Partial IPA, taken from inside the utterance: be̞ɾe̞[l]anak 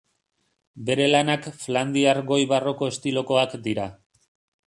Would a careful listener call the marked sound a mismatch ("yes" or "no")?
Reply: no